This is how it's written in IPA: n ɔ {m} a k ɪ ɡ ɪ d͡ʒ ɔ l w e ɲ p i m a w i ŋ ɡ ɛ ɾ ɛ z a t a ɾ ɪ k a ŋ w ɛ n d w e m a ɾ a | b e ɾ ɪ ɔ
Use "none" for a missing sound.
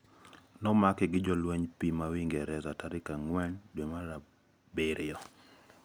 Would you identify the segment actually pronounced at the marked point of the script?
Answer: m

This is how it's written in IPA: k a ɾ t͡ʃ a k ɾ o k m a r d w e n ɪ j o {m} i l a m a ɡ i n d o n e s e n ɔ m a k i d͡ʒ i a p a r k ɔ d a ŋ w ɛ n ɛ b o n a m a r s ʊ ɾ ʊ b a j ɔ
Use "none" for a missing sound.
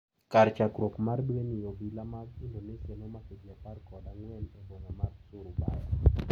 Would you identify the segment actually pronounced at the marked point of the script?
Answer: b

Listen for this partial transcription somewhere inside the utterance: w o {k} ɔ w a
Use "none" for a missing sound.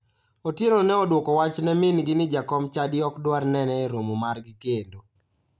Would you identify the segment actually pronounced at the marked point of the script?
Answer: k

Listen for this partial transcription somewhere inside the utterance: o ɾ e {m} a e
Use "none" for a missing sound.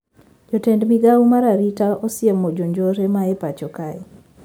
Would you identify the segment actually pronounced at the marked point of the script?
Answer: m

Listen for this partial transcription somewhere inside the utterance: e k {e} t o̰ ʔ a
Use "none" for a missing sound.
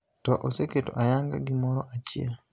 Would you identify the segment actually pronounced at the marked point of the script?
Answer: e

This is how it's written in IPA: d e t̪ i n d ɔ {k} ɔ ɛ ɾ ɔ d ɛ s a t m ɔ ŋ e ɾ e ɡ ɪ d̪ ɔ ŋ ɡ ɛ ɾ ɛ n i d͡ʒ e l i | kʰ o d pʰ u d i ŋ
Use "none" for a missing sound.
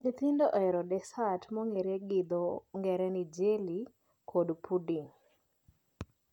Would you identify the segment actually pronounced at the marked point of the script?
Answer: ʔ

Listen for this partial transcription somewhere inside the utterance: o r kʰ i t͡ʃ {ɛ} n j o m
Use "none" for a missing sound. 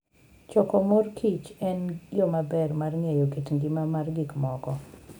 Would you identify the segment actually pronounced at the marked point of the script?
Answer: ɛ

